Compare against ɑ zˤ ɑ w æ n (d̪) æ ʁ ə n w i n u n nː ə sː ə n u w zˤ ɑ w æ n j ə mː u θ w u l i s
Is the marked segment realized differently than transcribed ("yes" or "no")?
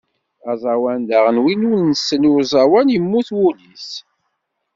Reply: no